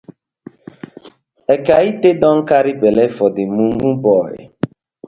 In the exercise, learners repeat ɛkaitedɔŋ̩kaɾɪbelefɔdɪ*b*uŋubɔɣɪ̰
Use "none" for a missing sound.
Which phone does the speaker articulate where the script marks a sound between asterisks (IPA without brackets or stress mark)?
m